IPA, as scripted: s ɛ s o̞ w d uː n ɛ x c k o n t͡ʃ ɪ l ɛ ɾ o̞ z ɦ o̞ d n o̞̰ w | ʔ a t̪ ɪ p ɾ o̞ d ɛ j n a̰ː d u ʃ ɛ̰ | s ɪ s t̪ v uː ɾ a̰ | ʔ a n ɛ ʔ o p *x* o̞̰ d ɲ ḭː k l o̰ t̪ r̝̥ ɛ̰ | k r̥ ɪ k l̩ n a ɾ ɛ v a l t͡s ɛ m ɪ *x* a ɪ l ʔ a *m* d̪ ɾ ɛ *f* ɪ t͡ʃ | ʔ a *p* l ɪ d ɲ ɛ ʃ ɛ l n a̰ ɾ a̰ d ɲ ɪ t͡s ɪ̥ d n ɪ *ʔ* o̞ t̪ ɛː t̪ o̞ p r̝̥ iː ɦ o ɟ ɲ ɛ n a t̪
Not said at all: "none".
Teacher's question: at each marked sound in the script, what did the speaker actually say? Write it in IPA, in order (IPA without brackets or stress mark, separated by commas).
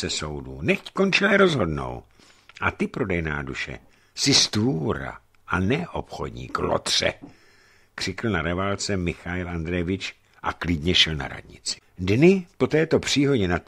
x, x, n, v, k, p